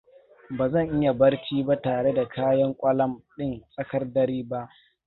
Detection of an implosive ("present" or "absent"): present